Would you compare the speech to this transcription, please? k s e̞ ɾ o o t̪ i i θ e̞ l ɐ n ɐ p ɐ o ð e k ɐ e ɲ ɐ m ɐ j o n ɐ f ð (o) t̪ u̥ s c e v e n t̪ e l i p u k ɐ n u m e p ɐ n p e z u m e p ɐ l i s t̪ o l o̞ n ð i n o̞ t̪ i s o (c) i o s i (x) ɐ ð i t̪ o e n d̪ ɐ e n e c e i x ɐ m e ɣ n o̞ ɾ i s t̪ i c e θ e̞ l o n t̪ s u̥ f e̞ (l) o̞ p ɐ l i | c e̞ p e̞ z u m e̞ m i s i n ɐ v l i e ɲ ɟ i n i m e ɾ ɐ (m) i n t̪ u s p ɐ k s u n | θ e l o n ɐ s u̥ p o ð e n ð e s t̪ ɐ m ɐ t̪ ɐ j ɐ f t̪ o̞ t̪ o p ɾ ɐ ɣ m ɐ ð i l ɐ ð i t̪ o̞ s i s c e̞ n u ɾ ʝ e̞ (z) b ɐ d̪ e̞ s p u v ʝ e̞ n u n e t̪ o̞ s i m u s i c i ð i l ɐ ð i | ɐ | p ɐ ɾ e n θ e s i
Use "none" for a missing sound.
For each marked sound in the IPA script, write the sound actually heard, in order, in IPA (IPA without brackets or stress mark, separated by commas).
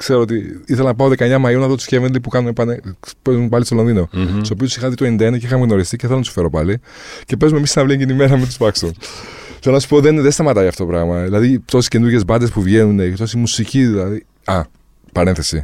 o, p, x, ɾ, m, z